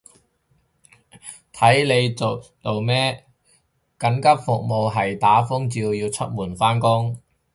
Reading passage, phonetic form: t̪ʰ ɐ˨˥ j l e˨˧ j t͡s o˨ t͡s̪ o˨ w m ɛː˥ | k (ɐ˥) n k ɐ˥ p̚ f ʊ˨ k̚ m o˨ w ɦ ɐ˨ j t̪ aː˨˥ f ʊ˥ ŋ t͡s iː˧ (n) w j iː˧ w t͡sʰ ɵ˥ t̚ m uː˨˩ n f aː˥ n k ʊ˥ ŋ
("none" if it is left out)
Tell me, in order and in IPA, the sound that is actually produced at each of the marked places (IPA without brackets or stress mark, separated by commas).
ɐ˨˥, none